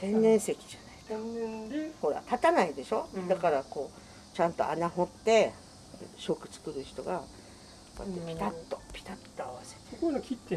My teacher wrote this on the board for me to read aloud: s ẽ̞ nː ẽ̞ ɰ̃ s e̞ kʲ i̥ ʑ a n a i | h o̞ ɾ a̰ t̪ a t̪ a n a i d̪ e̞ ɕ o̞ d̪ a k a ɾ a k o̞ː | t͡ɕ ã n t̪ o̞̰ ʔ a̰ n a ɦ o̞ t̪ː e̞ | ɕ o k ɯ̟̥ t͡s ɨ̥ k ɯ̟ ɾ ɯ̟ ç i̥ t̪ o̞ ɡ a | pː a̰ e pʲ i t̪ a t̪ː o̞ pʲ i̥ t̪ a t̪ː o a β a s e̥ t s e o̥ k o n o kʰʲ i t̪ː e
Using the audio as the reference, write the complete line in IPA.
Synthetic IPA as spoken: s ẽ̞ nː ẽ̞ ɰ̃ s e̞ kʲ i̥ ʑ a n a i | h o̞ ɾ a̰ t̪ a t̪ a n a i d̪ e̞ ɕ o̞ d̪ a k a ɾ a k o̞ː | t͡ɕ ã n t̪ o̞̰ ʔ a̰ n a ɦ o̞ t̪ː e̞ | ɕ o k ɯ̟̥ t͡s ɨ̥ k ɯ̟ ɾ ɯ̟ ç i̥ t̪ o̞ ɡ a | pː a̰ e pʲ i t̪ a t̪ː o̞ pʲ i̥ t̪ a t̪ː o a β a s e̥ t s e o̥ k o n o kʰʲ i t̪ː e